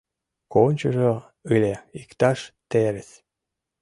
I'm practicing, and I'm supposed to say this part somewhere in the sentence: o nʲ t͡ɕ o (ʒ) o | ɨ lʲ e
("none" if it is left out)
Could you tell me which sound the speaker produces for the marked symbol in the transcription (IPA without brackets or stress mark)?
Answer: ʒ